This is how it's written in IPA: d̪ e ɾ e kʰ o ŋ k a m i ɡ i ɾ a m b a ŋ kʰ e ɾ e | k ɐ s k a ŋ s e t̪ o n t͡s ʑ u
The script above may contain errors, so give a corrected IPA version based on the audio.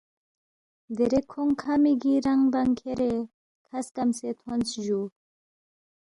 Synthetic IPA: d̪ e ɾ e kʰ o ŋ kʰ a m i ɡ i ɾ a ŋ b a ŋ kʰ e ɾ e | kʰ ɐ s k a m s e t̪ʰ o n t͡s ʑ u